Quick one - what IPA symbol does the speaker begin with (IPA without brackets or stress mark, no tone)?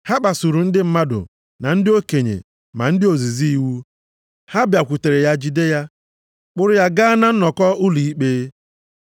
h